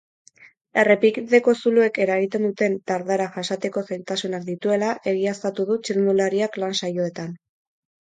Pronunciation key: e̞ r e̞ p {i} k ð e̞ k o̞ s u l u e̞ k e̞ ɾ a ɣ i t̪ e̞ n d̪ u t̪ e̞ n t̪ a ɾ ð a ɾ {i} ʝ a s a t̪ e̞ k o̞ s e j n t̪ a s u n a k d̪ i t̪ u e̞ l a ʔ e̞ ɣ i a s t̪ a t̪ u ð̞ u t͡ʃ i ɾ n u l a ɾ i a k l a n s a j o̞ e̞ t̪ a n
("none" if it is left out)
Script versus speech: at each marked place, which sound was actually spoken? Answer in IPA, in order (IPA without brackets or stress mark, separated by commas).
i, a